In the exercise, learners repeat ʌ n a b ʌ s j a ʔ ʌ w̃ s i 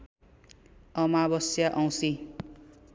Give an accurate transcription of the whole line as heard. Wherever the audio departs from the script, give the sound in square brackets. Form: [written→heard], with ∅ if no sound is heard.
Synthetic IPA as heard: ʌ [n→m] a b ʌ s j a ʔ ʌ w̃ s i